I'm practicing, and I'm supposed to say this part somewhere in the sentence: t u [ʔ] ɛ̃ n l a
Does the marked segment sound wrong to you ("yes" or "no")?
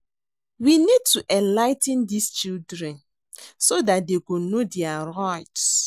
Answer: no